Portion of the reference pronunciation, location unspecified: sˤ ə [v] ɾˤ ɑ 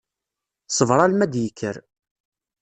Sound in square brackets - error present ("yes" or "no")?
no